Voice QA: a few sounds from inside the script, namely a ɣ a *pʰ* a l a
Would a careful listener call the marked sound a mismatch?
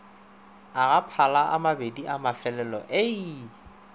no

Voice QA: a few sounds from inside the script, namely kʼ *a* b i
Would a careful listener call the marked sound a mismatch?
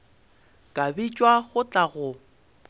no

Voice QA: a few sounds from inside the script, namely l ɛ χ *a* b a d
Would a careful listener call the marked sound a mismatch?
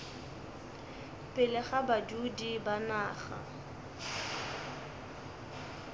no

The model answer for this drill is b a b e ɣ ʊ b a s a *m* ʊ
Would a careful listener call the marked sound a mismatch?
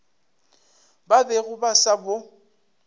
yes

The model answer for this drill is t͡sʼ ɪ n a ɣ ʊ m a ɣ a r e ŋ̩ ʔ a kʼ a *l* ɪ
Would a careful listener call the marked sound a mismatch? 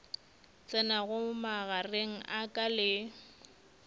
no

